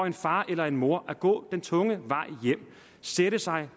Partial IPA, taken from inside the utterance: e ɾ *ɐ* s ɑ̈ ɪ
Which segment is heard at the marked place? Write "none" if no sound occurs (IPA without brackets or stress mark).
ə